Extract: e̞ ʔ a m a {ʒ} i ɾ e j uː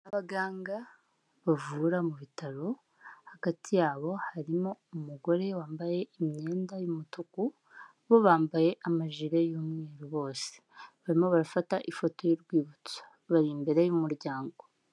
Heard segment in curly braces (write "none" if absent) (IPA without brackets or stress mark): ʒ